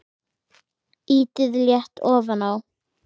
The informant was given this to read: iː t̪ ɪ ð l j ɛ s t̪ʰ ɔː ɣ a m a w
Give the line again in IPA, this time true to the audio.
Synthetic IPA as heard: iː t̪ ɪ ð l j ɛ h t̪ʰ ɔː v a n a w